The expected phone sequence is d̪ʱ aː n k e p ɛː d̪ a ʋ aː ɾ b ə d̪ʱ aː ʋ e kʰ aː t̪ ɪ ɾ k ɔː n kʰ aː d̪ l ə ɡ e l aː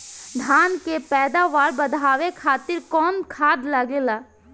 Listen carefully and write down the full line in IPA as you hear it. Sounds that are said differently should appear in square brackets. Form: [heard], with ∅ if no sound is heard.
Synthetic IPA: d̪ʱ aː n k e p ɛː d̪ a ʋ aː ɾ b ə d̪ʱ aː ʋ e kʰ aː t̪ ɪ ɾ k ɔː n kʰ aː d̪ l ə ɡ e l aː